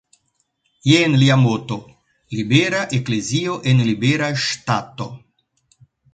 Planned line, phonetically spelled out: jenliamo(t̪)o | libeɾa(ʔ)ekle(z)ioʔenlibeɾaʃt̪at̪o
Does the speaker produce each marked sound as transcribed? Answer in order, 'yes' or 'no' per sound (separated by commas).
yes, yes, yes